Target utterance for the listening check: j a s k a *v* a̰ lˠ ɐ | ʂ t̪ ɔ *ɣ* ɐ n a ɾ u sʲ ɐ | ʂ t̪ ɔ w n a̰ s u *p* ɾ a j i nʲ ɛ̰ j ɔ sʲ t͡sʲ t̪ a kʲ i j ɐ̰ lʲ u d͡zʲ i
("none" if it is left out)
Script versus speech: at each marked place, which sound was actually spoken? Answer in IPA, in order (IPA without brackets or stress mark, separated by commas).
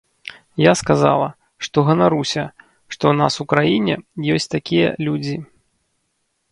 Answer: z, ɣ, k